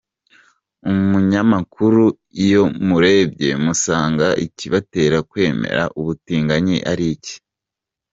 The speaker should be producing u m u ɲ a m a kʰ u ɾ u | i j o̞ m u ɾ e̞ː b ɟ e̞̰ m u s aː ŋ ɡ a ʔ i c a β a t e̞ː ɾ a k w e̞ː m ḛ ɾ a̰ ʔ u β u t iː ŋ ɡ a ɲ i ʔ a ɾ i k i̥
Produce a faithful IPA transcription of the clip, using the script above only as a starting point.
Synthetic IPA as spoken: u m u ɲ a m a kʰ u ɾ u | i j o̞ m u ɾ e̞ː b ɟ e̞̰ m u s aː ŋ ɡ a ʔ i c i β a t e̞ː ɾ a k w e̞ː m ḛ ɾ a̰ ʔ u β u t iː ŋ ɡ a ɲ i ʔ a ɾ i c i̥